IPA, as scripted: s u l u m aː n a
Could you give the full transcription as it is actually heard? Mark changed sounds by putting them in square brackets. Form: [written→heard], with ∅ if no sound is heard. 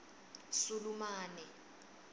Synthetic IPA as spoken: s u l u m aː n [a→ɛ]

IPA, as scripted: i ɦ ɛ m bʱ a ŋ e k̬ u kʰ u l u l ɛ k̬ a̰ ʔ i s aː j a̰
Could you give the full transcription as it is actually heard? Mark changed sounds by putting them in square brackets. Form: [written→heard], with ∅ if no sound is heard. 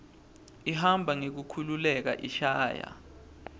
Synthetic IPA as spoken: i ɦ [ɛ→a] m bʱ a ŋ e k̬ u kʰ u l u l ɛ k̬ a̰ ʔ i [s→ʃ] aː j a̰

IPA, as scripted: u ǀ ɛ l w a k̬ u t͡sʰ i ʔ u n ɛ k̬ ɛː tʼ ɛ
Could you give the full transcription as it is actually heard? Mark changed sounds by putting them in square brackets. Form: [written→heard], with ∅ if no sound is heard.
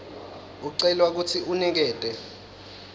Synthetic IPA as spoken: u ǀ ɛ l w a k̬ u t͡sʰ i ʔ u n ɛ k̬ ɛː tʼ ɛ

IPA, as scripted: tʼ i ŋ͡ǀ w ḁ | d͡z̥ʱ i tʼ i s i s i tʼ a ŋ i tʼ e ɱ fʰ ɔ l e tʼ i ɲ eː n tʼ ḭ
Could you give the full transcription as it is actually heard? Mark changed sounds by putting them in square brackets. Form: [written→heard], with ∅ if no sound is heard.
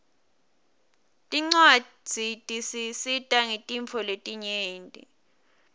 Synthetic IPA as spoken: tʼ i ŋ͡ǀ w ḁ | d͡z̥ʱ i tʼ i s i s i tʼ a ŋ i tʼ [e→i] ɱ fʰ ɔ l e tʼ i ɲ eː n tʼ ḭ

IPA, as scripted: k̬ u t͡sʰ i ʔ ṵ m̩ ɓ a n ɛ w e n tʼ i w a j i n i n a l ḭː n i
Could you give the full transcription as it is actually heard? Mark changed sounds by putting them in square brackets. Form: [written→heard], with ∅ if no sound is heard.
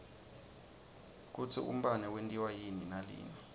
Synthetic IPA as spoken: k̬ u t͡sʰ i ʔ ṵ m̩ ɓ a n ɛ w e n tʼ i w a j i n i n a l ḭː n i

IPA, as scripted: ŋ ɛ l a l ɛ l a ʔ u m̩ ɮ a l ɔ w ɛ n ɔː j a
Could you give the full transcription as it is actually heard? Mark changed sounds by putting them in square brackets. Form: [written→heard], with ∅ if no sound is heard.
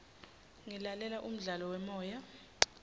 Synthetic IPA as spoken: ŋ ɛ l a l ɛ l a ʔ u m̩ ɮ a l ɔ w ɛ [n→m] ɔː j a

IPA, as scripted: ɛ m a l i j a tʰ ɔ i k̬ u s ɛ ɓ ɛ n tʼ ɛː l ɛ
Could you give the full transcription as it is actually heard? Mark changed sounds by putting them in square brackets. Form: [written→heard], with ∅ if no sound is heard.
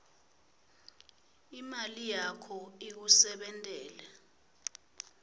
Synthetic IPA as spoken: [ɛ→i] m a l i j a [tʰ→kʰ] ɔ i k̬ u s ɛ ɓ ɛ n tʼ ɛː l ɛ

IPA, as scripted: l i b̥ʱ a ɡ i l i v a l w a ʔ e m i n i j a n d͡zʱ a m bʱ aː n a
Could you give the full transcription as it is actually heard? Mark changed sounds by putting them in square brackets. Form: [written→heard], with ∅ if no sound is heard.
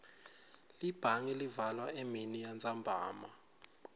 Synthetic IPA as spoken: l i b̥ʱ a [ɡ→ŋ] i l i v a l w a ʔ e m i n i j a n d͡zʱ a m bʱ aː [n→m] a

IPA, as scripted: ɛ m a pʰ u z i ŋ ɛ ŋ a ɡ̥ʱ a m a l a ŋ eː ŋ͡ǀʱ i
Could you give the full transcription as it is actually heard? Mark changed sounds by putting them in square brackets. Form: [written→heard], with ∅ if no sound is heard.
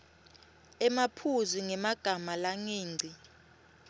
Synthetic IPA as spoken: ɛ m a pʰ u z i ŋ ɛ [ŋ→m] a ɡ̥ʱ a m a l a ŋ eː ŋ͡ǀʱ i

